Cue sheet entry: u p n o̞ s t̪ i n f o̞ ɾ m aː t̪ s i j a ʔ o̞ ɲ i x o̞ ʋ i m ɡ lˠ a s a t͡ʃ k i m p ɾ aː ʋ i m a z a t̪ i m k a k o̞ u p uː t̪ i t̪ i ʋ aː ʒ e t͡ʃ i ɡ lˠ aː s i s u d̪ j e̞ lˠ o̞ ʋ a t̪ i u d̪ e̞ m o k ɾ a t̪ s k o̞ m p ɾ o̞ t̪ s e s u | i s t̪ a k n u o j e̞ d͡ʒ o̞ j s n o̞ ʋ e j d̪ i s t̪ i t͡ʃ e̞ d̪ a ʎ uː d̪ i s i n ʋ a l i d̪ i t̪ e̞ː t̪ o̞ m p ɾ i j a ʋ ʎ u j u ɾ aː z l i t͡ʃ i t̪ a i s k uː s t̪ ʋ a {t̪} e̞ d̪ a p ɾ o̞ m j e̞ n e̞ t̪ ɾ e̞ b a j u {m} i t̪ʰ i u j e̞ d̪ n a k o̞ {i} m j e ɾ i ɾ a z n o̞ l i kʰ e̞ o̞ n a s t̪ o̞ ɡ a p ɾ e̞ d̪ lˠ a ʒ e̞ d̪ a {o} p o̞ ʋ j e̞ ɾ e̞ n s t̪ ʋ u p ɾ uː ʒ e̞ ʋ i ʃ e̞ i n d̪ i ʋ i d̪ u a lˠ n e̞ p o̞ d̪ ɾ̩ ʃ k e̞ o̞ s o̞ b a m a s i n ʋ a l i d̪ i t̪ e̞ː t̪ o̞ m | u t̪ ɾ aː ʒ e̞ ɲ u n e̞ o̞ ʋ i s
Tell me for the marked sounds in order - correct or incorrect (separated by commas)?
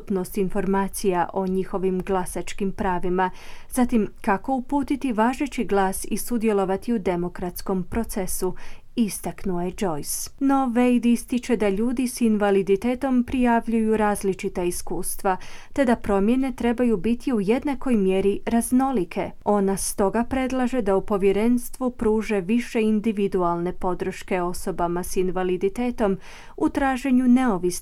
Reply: correct, incorrect, incorrect, incorrect